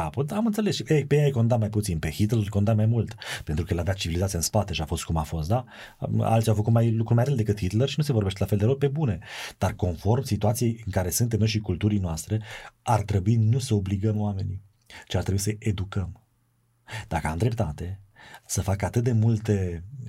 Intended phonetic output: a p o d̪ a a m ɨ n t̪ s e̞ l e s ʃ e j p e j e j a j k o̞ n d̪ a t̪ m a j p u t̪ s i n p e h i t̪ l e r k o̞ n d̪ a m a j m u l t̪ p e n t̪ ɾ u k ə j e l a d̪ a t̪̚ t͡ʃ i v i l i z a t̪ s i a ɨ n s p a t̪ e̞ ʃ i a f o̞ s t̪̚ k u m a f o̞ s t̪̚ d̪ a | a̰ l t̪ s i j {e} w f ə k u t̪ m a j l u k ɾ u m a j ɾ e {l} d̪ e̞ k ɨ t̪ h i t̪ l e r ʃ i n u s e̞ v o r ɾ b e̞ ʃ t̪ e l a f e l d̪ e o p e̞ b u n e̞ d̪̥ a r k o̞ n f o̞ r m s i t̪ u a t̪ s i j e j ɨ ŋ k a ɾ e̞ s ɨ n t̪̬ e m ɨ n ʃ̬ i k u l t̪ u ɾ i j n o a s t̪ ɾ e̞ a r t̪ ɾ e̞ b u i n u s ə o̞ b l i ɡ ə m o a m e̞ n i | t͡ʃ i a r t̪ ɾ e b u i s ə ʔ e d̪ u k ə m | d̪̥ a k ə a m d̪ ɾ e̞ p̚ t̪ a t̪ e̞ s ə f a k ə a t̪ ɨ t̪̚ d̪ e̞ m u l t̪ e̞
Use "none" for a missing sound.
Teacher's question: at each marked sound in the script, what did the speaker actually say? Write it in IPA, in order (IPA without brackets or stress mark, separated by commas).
a, l